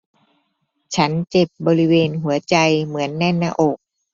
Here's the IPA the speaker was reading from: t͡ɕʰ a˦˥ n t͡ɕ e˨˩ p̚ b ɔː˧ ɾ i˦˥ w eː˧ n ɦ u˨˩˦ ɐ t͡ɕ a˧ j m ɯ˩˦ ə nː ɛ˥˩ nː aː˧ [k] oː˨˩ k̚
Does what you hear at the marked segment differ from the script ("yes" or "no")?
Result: yes